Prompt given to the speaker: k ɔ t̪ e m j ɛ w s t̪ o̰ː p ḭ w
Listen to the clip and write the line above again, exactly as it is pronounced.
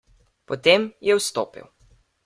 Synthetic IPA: p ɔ t̪ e m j ɛ w s t̪ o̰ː p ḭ w